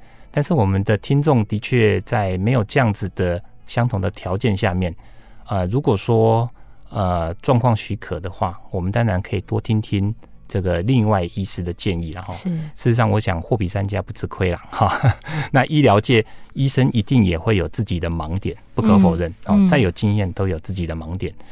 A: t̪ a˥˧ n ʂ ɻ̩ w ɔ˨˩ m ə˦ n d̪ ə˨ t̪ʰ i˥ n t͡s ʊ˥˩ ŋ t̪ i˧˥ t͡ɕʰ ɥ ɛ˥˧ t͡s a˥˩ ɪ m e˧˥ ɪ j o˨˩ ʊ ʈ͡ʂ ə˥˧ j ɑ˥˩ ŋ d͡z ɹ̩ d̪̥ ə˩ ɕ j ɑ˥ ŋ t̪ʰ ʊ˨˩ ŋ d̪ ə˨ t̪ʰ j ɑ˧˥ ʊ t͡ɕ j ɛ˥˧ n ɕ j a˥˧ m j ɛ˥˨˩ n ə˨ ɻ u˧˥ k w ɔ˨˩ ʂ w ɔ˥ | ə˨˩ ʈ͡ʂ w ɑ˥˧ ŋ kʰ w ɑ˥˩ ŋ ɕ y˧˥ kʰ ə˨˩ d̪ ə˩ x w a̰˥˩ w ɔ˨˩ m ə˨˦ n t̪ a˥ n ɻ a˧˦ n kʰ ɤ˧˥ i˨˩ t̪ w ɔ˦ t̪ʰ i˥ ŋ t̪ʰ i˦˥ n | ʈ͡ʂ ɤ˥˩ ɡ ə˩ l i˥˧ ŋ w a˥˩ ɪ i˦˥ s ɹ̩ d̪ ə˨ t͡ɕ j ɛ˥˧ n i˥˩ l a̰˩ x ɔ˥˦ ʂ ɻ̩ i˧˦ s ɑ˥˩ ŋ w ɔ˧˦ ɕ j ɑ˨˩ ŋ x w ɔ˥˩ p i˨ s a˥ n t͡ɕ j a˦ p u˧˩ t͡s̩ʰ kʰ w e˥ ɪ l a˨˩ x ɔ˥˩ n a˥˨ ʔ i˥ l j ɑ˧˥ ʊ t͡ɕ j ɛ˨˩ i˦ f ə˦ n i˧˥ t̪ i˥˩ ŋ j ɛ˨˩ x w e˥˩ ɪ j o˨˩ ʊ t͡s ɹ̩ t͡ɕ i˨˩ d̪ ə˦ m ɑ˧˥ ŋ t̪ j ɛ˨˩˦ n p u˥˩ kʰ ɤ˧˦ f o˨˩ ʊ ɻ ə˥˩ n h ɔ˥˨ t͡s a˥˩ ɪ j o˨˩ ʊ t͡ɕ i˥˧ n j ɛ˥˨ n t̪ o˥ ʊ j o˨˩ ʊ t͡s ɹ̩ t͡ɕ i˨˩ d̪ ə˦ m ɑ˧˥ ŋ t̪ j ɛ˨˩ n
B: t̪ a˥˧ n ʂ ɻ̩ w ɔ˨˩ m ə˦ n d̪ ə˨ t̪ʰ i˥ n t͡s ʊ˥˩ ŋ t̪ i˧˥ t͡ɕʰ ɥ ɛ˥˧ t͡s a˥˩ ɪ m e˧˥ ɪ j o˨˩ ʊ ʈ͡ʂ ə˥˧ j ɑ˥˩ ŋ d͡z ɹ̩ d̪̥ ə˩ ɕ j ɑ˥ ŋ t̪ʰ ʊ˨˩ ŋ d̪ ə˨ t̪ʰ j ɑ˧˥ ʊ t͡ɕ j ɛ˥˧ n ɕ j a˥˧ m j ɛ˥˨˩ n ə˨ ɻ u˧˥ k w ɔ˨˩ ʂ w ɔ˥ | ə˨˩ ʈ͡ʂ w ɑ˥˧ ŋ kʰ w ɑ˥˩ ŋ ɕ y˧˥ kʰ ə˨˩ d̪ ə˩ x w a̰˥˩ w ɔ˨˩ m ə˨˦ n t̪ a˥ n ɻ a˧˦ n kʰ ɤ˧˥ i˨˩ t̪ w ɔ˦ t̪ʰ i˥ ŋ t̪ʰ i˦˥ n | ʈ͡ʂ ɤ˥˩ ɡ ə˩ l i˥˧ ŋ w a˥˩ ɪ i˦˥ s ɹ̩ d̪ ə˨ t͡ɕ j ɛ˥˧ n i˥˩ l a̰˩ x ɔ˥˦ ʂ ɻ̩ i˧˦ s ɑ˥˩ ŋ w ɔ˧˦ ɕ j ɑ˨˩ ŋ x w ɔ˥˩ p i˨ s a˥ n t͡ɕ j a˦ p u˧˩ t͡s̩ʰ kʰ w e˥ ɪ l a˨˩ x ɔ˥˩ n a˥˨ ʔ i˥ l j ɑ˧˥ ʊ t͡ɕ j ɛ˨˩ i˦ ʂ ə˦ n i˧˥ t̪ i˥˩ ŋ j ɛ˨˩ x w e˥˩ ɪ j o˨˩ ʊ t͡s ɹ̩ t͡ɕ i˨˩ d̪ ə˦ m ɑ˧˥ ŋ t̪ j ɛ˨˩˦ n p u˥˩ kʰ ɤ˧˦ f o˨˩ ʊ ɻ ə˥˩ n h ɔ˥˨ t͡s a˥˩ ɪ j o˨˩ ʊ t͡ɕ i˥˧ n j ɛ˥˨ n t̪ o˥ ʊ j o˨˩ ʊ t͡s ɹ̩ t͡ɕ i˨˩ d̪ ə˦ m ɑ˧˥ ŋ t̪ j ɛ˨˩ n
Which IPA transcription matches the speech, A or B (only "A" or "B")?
B